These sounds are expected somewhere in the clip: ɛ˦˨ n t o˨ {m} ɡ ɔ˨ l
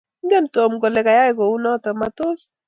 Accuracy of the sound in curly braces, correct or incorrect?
correct